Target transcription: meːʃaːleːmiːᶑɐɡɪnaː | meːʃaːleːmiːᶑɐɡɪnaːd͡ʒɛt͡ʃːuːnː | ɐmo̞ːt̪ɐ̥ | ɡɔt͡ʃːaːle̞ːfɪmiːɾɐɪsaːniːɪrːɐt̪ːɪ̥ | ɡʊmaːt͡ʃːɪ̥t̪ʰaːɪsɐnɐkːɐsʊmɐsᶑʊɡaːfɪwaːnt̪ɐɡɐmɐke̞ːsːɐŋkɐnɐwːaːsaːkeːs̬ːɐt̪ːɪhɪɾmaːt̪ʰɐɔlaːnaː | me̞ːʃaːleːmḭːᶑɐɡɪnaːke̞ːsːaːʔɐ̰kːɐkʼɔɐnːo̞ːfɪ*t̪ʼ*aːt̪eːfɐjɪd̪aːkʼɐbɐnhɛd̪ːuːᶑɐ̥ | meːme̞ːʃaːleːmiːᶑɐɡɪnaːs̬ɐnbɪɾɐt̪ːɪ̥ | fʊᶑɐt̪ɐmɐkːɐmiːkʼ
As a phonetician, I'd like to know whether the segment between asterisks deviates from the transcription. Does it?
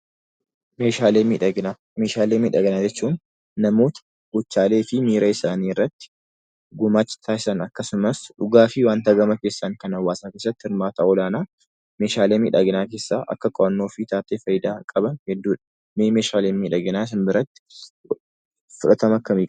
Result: yes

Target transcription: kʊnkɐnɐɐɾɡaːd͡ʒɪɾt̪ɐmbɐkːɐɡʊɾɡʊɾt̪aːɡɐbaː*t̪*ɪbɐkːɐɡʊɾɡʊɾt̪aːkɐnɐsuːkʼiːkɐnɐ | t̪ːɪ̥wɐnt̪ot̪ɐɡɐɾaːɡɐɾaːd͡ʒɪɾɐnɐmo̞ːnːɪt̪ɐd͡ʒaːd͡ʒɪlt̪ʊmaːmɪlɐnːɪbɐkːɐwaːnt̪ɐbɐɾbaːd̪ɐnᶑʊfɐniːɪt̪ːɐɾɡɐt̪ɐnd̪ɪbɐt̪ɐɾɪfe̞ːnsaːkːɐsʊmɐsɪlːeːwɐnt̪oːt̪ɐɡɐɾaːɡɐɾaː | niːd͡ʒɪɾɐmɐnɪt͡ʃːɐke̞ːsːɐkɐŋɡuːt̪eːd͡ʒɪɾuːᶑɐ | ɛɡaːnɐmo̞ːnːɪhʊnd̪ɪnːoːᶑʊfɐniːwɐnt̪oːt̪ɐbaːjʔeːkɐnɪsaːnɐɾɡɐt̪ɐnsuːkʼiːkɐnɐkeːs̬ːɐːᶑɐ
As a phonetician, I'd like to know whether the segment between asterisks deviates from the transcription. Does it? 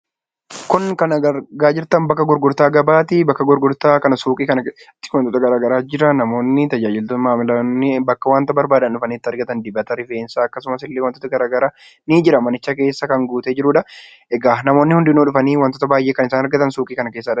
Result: no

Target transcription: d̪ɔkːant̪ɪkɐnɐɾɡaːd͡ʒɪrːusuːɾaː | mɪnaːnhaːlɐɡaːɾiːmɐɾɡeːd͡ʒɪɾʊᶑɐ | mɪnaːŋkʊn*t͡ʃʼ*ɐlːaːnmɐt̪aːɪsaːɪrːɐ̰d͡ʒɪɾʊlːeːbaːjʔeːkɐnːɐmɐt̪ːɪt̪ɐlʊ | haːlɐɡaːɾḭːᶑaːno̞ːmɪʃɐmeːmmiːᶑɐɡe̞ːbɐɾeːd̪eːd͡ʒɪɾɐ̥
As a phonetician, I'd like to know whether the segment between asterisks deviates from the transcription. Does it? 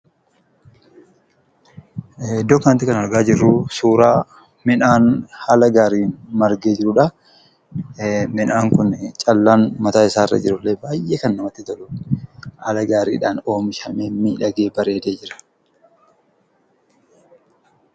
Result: no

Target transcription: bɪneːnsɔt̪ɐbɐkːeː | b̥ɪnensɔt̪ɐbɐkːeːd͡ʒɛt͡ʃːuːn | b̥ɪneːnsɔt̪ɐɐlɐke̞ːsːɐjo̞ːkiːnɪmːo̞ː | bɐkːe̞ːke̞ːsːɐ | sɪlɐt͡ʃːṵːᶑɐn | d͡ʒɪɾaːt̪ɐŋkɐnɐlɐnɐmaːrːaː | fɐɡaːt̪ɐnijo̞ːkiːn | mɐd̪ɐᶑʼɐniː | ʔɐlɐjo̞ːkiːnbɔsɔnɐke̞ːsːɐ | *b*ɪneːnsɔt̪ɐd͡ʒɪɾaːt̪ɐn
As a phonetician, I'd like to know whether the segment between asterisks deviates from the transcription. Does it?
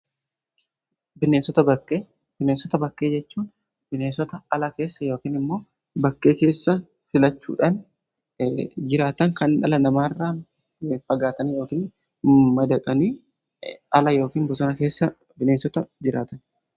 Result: no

